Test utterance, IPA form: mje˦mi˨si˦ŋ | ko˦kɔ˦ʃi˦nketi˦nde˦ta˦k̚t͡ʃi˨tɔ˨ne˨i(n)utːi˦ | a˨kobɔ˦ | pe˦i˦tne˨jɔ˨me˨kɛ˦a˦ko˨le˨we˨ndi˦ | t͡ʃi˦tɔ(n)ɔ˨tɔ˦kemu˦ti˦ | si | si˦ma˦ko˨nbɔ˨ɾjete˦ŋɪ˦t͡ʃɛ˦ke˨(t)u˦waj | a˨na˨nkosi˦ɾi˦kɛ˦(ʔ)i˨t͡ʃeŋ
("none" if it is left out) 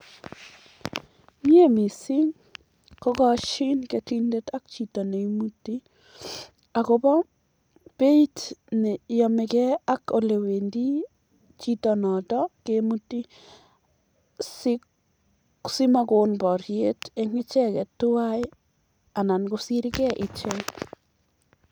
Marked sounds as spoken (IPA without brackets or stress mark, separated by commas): m, n, t, ʔ